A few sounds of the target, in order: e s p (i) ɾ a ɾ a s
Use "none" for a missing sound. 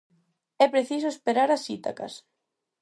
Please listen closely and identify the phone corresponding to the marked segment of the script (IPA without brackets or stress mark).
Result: e